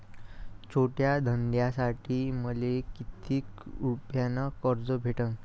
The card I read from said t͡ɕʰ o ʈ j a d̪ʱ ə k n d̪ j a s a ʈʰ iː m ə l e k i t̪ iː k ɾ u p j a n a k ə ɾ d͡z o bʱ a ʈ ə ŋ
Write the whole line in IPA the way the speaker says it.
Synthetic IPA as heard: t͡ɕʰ o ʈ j a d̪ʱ ə n d̪ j a s a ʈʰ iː m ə l e k i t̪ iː k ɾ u p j a n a k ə ɾ d͡z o bʱ e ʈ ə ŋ